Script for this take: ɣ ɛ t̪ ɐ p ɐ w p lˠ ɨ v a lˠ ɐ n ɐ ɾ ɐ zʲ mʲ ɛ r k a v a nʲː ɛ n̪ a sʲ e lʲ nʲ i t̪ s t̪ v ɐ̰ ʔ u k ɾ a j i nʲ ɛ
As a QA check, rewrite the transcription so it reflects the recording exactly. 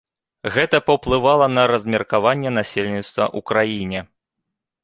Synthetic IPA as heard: ɣ ɛ t̪ ɐ p ɐ w p lˠ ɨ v a lˠ ɐ n ɐ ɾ ɐ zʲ mʲ ɛ r k a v a nʲː ɛ n̪ a sʲ e lʲ nʲ i t̪ s t̪ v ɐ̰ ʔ u k ɾ a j i nʲ ɛ